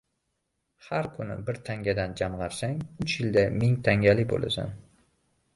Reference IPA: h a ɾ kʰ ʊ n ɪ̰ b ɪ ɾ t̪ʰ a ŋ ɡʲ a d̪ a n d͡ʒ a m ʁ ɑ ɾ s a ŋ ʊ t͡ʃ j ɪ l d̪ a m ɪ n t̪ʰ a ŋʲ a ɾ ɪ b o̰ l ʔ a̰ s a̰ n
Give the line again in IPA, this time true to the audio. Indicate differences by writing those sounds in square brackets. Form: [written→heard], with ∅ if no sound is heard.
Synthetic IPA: h a ɾ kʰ ʊ n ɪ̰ b ɪ ɾ t̪ʰ a ŋ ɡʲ a d̪ a n d͡ʒ a m ʁ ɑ ɾ s a ŋ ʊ t͡ʃ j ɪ l d̪ a m ɪ [n→ŋ] t̪ʰ a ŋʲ a [ɾ→l] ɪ b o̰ l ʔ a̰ s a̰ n

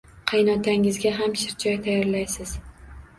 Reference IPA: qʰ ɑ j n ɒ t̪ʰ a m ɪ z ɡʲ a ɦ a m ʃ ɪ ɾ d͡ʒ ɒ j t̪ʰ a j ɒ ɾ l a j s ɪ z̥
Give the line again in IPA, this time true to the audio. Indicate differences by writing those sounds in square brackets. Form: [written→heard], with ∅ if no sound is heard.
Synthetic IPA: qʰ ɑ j n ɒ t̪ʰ a [m→ŋ] ɪ z ɡʲ a ɦ a m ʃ ɪ ɾ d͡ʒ ɒ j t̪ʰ a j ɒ ɾ l a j s ɪ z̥

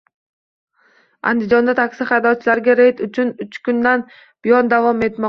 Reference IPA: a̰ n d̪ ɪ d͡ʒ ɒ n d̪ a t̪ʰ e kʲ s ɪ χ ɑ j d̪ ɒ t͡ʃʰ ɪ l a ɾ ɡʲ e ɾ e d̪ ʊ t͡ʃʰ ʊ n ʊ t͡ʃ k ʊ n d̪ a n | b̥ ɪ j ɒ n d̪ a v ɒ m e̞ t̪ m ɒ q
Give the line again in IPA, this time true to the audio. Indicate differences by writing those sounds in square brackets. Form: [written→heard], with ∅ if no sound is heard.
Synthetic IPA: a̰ n d̪ ɪ d͡ʒ ɒ n d̪ a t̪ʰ [e→a] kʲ s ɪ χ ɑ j d̪ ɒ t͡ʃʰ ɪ l a ɾ ɡʲ [e→a] ɾ e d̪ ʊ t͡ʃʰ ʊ n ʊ t͡ʃ k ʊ n d̪ a n | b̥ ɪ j ɒ n d̪ a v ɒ m e̞ t̪ m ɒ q

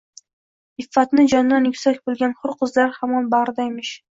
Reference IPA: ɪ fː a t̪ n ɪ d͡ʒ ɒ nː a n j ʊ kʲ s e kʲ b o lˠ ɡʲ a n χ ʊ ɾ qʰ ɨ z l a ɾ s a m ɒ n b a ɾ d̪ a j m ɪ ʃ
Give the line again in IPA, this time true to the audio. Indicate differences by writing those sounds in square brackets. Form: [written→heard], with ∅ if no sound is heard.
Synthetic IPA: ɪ fː a t̪ n ɪ d͡ʒ ɒ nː a n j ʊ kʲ s [e→a] kʲ b o lˠ ɡʲ a n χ ʊ ɾ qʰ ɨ z l a ɾ [s→h] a m ɒ n b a ɾ d̪ a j m ɪ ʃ

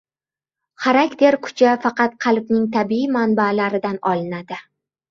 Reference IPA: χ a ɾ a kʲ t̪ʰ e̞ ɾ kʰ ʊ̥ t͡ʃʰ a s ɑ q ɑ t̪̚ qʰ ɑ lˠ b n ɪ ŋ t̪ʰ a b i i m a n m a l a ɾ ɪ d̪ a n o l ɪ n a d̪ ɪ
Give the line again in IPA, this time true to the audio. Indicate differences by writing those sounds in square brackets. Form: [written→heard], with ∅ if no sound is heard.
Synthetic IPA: χ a ɾ a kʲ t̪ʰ e̞ ɾ kʰ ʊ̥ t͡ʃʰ a [s→f] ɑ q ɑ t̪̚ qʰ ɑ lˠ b n ɪ ŋ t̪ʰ a b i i m a n [m→b] a l a ɾ ɪ d̪ a n [o→ɒ] l ɪ n a d̪ ɪ

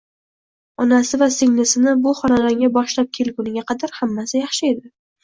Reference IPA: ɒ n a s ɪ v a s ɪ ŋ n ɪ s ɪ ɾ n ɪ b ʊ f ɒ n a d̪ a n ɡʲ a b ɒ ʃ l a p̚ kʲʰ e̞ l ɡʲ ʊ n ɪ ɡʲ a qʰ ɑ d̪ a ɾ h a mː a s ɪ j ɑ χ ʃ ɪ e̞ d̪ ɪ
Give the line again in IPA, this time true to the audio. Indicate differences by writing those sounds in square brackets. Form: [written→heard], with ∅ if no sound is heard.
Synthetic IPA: ɒ n a s ɪ v a s ɪ ŋ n ɪ s ɪ [ɾ→∅] n ɪ b ʊ [f→χ] ɒ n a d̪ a [n→ŋ] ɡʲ a b ɒ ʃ l a p̚ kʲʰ e̞ l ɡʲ ʊ n ɪ ɡʲ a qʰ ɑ d̪ a ɾ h a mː a s ɪ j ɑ χ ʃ ɪ e̞ d̪ ɪ

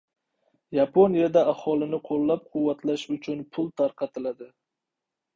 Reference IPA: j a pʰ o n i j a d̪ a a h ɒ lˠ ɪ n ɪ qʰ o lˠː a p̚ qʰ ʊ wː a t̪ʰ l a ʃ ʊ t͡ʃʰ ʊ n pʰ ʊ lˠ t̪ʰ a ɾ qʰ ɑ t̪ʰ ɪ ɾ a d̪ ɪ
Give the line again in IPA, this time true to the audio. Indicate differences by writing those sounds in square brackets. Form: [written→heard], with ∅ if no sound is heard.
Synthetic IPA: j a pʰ o n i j a d̪ a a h ɒ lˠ ɪ n ɪ qʰ o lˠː a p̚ qʰ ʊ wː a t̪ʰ l a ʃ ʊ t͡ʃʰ ʊ n pʰ ʊ lˠ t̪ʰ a ɾ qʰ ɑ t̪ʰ ɪ [ɾ→l] a d̪ ɪ

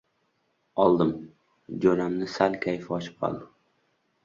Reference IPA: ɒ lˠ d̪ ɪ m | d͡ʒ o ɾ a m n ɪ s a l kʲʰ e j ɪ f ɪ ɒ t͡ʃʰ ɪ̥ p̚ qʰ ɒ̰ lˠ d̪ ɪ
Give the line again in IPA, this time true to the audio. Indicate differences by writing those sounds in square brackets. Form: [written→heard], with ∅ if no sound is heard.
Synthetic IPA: ɒ lˠ d̪ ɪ m | d͡ʒ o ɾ a m n ɪ s a l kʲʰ [e→a] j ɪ f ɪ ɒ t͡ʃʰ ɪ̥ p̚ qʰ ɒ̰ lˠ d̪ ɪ

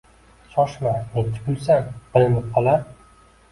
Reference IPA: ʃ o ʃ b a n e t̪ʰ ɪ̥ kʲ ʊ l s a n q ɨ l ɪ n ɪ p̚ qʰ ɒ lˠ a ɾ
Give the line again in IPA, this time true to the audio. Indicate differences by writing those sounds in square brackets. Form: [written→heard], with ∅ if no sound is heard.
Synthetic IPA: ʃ [o→ɒ] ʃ [b→m] a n e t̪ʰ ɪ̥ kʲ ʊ l s a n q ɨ l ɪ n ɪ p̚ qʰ ɒ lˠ a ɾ

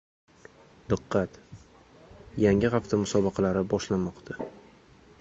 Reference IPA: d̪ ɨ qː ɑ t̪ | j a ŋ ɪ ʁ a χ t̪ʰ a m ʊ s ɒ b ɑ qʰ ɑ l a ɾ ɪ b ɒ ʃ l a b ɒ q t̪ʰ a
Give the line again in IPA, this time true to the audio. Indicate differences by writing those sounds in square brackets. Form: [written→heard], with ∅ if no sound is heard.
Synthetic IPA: d̪ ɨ qː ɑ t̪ | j a ŋ ɪ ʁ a [χ→f] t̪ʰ a m ʊ s ɒ b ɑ qʰ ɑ l a ɾ ɪ b ɒ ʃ l a [b→m] ɒ q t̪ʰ a

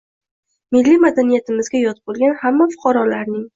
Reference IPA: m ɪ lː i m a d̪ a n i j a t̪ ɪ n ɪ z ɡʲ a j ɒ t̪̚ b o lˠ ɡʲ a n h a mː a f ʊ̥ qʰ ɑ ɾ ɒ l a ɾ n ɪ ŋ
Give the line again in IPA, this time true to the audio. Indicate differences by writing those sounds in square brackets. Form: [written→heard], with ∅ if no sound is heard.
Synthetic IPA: m ɪ lː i m a d̪ a n i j a t̪ ɪ [n→m] ɪ z ɡʲ a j ɒ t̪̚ b o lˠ ɡʲ a n h a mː a f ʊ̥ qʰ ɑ ɾ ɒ l a ɾ n ɪ ŋ

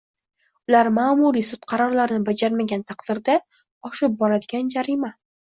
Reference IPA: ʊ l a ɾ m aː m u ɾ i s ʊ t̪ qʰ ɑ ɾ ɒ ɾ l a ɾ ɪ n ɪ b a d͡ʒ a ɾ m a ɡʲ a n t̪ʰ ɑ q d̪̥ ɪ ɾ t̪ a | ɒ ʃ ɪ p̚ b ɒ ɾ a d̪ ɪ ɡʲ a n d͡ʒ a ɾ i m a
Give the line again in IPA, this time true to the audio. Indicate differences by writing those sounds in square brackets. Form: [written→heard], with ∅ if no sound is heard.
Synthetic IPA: ʊ l a ɾ m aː m u ɾ i s ʊ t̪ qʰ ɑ ɾ ɒ ɾ l a ɾ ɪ n ɪ b a d͡ʒ a ɾ m a ɡʲ a n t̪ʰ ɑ q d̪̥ ɪ ɾ [t̪→d̪] a | ɒ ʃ ɪ p̚ b ɒ ɾ a d̪ ɪ ɡʲ a n d͡ʒ a ɾ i m a

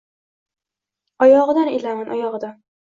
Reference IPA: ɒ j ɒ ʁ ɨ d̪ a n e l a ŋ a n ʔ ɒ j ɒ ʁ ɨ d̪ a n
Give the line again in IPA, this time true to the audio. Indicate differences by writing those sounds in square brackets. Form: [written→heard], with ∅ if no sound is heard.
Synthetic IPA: ɒ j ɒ ʁ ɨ d̪ a n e l a [ŋ→m] a n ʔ ɒ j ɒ ʁ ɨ d̪ a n

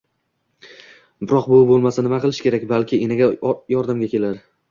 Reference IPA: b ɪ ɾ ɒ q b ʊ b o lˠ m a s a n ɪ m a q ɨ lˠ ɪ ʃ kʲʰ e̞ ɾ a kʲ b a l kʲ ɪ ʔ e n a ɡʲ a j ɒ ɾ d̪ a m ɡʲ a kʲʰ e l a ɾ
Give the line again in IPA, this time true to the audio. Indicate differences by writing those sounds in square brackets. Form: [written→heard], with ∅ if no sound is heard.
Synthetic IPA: b ɪ ɾ ɒ q b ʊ b o lˠ m a s a n ɪ m a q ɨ lˠ ɪ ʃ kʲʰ e̞ ɾ a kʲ b a l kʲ ɪ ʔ e n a ɡʲ a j ɒ ɾ d̪ a m ɡʲ a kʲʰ e l a ɾ

